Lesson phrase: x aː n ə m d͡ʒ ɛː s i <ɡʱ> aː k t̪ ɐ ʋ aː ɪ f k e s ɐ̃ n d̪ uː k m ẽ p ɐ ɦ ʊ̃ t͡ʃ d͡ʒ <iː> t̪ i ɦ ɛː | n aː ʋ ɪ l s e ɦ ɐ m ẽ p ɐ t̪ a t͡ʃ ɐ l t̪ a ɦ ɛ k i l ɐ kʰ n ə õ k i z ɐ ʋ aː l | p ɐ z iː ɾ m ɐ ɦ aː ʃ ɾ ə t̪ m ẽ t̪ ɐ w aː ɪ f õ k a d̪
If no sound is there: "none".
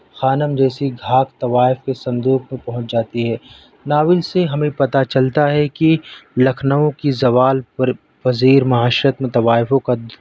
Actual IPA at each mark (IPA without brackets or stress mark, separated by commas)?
ɡʱ, aː